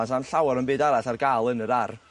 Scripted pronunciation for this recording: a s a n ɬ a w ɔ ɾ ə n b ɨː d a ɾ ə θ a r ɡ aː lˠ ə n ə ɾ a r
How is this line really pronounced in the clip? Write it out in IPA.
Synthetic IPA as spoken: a s a n ɬ a w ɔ ɾ ə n b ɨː d a ɾ a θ a r ɡ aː lˠ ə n ə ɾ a r